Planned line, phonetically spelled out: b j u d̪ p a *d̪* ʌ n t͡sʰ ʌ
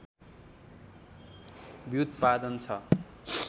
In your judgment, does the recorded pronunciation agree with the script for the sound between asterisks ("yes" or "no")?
yes